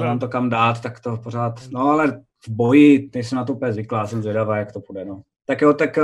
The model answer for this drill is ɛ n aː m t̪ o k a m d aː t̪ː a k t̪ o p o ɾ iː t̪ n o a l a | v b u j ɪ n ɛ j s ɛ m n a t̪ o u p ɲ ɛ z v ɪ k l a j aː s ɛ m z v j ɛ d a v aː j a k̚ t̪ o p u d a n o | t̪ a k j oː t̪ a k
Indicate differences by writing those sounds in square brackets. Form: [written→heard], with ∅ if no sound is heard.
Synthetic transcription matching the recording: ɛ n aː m t̪ o k a m d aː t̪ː a k t̪ o p o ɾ [iː→aː] t̪ n o a l [a→ɛ] | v b [u→o] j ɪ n ɛ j s ɛ m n a t̪ o u p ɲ ɛ z v ɪ k l a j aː s ɛ m z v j ɛ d a v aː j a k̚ t̪ o p u d [a→ɛ] n o | t̪ a k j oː t̪ a k